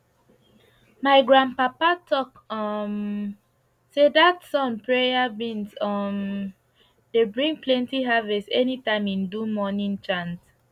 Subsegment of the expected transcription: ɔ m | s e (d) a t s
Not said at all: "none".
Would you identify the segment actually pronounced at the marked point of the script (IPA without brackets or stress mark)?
d